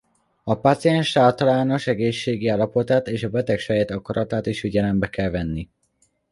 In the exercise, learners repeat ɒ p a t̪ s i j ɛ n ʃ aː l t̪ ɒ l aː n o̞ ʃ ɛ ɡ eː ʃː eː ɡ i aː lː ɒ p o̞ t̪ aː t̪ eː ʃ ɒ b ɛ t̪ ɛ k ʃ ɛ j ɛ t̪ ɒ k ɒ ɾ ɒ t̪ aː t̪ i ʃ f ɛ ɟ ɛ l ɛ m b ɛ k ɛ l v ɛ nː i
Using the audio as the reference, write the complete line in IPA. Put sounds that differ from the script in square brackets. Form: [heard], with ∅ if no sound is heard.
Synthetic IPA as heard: ɒ p a t̪ s i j ɛ n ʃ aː l t̪ ɒ l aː n o̞ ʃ ɛ ɡ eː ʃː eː ɡ i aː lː ɒ p o̞ t̪ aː t̪ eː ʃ ɒ b ɛ t̪ ɛ k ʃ ɛ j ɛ t̪ ɒ k ɒ ɾ ɒ t̪ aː t̪ i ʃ f [i] ɟ ɛ l ɛ m b ɛ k ɛ l v ɛ nː i